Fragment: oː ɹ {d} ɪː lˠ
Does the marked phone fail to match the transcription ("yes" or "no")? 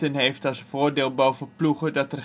no